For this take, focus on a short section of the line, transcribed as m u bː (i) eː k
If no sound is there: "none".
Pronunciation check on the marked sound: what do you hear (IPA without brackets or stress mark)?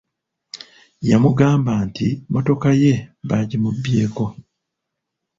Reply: j